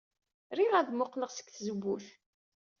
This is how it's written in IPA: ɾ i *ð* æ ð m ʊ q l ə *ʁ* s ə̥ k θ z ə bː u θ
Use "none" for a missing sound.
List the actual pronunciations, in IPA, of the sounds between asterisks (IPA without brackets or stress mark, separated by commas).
ʁ, ʁ